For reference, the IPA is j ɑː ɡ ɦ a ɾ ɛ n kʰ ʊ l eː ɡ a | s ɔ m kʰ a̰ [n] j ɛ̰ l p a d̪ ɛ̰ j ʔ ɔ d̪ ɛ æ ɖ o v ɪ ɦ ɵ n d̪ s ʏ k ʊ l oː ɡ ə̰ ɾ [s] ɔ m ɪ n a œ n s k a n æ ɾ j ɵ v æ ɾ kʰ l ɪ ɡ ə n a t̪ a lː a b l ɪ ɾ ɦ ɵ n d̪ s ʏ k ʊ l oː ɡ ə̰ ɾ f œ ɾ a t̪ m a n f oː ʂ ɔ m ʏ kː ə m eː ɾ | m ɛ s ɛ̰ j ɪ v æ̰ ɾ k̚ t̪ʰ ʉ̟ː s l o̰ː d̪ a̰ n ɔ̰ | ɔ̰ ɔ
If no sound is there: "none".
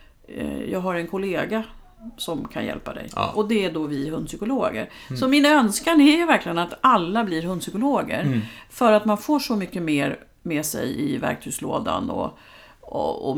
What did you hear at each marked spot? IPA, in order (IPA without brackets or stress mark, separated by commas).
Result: n, s